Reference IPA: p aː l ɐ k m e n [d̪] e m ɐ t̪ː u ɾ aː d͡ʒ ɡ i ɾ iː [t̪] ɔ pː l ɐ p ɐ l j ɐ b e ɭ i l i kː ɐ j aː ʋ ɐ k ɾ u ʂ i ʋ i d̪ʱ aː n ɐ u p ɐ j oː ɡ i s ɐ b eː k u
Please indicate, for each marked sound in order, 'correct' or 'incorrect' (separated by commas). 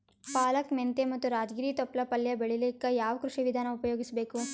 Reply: incorrect, correct